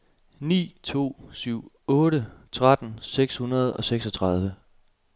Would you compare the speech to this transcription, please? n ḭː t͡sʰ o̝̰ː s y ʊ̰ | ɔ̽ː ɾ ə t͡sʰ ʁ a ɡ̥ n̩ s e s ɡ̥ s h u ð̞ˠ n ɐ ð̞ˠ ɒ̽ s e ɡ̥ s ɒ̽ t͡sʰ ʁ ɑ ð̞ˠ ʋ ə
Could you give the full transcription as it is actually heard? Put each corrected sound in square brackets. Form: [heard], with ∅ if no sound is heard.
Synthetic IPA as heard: n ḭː t͡sʰ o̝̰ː s y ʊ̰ | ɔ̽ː ɾ ə t͡sʰ ʁ a [d̥] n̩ s e [∅] ɡ̥ s h u [∅] n ɐ ð̞ˠ ɒ̽ s e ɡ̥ s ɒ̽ t͡sʰ ʁ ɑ ð̞ˠ ʋ ə